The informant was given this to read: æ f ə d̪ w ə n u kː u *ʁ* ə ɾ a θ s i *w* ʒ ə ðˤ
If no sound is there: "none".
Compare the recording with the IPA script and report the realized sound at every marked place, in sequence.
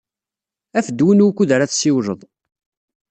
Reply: ð, w

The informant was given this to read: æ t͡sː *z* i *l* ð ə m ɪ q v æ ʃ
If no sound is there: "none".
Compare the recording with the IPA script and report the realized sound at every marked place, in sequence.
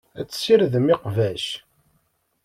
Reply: s, ɾ

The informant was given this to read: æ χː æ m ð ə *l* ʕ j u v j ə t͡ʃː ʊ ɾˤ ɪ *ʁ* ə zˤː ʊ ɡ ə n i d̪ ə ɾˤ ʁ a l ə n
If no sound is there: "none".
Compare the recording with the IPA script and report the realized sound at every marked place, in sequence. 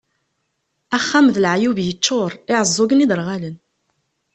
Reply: l, ʕ

